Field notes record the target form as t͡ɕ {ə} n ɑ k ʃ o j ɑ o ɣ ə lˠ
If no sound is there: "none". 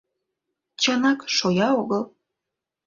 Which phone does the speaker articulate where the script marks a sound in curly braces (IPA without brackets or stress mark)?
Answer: ɑ